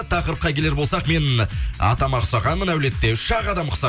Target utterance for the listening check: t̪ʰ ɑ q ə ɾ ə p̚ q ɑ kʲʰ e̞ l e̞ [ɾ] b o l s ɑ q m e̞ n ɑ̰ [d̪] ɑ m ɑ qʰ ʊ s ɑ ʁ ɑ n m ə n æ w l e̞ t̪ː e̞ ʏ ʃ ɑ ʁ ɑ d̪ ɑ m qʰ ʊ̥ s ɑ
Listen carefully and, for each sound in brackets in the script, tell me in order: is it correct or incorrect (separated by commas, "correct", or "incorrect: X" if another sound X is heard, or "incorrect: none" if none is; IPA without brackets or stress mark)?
correct, incorrect: t̪